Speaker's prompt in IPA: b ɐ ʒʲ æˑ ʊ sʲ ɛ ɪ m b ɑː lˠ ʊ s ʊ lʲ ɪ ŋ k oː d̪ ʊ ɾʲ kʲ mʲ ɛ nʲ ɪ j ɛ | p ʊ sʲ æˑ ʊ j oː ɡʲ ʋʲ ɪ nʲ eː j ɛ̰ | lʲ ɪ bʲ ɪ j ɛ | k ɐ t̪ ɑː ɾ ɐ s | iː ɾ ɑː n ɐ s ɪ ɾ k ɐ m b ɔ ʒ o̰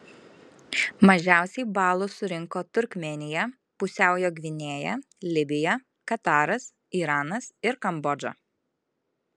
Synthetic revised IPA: m ɐ ʒʲ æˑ ʊ sʲ ɛ ɪ b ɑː lˠ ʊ s ʊ ɾʲ ɪ ŋ k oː t̪ ʊ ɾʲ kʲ mʲ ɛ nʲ ɪ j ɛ | p ʊ sʲ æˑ ʊ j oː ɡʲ ʋʲ ɪ nʲ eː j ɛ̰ | lʲ ɪ bʲ ɪ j ɛ | k ɐ t̪ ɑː ɾ ɐ s | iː ɾ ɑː n ɐ s ɪ ɾ k ɐ m b ɔ d͡ʒ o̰